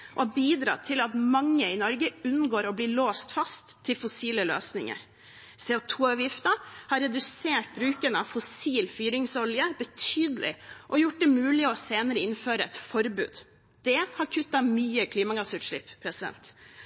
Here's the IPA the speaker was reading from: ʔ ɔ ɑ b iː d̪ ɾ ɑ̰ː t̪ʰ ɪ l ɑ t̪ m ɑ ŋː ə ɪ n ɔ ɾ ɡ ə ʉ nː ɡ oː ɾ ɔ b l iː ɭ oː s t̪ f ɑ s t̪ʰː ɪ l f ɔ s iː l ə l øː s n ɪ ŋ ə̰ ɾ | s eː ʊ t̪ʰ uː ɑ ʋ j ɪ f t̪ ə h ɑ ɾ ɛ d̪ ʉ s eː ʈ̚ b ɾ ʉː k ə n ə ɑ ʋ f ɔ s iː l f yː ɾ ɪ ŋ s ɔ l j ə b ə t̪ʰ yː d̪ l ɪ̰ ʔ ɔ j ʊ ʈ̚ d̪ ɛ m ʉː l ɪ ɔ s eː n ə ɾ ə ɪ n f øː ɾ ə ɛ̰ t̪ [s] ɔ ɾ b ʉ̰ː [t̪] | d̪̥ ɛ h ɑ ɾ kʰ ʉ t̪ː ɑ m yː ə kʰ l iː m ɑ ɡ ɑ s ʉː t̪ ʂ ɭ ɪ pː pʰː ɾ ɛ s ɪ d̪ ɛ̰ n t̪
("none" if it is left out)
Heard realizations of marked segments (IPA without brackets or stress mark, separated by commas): f, d̪